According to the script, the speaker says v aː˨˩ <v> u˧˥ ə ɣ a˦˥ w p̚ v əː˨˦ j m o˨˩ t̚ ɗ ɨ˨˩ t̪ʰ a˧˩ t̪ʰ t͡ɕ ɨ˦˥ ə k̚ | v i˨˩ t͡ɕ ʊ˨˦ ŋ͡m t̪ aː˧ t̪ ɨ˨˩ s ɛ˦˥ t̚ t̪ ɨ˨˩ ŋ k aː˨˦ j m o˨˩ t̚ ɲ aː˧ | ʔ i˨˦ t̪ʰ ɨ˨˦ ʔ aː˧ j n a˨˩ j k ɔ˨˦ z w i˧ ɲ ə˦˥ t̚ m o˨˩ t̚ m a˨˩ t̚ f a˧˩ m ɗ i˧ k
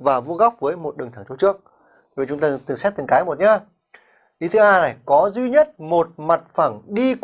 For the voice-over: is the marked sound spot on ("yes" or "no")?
yes